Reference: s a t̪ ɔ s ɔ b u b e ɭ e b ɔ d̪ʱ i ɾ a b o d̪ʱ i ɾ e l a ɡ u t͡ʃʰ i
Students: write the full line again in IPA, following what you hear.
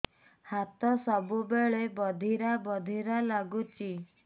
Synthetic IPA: h a t̪ ɔ s ɔ b u b e ɭ e b ɔ d̪ʱ i ɾ a b ɔ d̪ʱ i ɾ a l a ɡ u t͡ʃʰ i